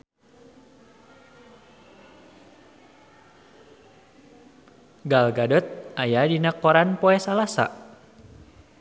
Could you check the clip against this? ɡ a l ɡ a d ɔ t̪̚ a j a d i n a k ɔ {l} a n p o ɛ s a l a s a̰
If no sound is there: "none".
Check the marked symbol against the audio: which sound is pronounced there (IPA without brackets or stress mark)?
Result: ɾ